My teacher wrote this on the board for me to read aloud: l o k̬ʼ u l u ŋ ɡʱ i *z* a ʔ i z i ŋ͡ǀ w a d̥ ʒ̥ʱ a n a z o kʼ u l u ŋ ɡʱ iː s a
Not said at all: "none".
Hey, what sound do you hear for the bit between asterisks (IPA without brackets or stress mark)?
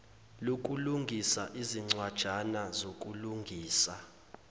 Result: s